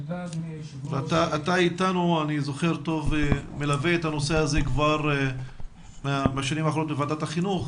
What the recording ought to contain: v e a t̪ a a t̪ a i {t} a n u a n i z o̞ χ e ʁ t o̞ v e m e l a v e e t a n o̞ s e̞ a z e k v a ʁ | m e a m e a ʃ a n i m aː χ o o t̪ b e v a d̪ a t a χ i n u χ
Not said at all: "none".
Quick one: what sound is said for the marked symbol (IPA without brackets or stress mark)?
t